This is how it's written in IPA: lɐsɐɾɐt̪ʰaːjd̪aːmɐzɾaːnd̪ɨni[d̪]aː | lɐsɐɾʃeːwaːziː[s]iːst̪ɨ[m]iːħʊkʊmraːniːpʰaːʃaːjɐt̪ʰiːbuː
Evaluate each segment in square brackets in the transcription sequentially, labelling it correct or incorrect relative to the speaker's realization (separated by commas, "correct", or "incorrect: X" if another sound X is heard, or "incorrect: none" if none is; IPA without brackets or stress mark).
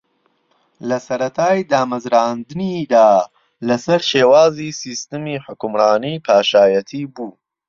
correct, correct, correct